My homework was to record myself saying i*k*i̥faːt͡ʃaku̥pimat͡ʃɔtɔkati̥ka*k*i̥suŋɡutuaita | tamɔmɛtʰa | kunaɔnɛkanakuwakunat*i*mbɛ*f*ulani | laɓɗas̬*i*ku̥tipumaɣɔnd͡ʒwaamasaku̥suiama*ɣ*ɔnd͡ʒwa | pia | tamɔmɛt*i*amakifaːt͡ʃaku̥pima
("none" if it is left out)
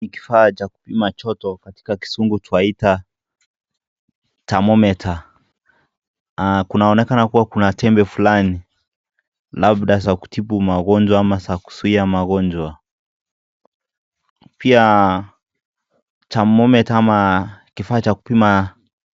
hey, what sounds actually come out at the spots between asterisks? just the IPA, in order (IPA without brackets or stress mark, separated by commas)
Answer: k, k, ɛ, f, a, ɣ, a